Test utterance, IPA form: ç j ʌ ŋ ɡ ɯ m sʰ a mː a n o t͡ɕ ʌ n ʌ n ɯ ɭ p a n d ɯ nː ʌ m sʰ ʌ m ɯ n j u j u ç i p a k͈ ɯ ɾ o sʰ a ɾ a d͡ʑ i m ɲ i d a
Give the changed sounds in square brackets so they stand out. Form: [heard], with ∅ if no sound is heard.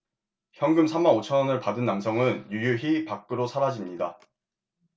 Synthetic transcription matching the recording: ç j ʌ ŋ ɡ ɯ m sʰ a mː a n o [t͡ɕʰ] ʌ n ʌ n ɯ ɭ p a [∅] d ɯ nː [a] m sʰ ʌ [ŋ] ɯ n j u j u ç i p a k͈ ɯ ɾ o sʰ a ɾ a d͡ʑ i m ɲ i d a